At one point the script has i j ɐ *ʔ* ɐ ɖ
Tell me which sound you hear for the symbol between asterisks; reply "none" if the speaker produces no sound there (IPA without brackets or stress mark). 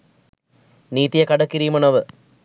k